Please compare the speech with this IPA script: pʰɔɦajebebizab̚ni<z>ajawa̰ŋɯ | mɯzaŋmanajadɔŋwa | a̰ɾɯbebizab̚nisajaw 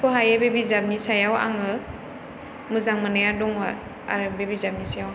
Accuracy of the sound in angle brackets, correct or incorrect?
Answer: incorrect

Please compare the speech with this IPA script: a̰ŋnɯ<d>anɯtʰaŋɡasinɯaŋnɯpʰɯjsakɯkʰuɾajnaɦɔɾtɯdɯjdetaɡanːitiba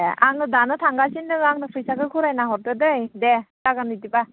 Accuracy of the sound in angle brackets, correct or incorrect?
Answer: correct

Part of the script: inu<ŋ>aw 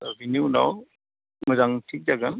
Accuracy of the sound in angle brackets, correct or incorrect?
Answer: incorrect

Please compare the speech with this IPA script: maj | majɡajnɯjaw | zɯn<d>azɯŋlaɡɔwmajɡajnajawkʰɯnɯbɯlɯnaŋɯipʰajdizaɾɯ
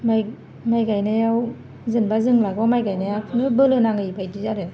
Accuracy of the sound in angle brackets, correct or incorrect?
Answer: incorrect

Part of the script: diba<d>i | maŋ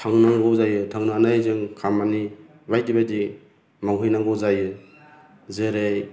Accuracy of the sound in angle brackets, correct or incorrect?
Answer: correct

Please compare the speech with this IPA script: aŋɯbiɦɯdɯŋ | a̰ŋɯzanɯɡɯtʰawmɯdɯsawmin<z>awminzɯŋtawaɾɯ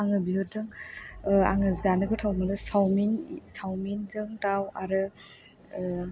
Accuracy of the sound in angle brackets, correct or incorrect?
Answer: incorrect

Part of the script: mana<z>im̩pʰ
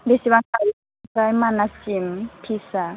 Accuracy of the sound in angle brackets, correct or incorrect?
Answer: incorrect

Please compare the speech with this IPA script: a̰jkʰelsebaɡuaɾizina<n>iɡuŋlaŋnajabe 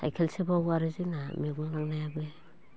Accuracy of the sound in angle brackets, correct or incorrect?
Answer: incorrect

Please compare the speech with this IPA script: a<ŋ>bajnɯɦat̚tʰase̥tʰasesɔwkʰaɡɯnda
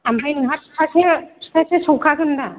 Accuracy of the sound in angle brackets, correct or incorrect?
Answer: incorrect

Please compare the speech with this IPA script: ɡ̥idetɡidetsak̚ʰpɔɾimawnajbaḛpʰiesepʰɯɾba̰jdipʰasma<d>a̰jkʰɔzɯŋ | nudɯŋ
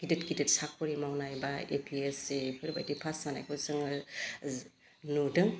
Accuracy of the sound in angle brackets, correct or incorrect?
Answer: incorrect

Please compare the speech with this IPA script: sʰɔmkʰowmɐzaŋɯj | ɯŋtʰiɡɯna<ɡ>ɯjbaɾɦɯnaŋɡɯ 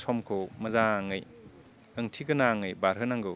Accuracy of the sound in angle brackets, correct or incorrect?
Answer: incorrect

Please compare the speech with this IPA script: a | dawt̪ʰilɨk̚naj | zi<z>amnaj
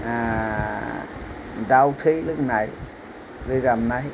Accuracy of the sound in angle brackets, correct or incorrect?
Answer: correct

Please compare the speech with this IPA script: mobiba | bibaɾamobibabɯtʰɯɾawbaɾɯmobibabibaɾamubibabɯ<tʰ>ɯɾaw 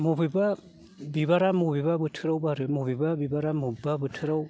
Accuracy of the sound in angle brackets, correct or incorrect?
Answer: correct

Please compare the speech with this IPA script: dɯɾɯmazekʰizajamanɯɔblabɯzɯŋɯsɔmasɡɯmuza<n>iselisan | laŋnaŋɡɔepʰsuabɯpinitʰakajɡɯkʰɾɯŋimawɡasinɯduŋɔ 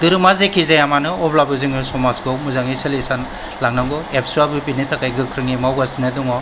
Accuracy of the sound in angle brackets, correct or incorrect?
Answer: incorrect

